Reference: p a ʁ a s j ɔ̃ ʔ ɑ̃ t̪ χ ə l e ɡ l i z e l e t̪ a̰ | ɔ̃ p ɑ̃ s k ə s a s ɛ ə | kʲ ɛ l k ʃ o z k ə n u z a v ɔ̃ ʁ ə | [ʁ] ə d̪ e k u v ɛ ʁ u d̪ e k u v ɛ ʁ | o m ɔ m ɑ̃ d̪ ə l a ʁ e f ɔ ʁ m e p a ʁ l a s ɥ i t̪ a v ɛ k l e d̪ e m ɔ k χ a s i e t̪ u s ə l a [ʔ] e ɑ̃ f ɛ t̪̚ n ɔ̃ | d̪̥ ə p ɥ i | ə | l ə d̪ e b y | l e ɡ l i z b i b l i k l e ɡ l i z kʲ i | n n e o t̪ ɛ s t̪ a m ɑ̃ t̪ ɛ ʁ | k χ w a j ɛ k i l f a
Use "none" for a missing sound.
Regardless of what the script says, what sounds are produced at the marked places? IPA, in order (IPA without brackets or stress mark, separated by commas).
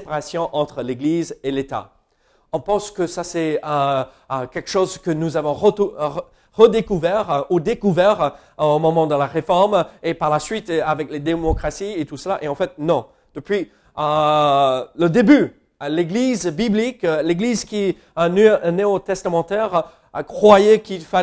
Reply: ʁ, ʔ